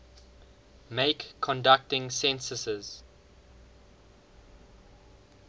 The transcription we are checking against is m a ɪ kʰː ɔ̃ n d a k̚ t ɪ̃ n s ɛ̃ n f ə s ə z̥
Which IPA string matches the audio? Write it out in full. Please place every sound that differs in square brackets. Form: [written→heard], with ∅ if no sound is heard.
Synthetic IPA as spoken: m [a→e] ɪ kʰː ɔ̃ n d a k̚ t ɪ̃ [n→ŋ] s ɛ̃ n [f→s] ə s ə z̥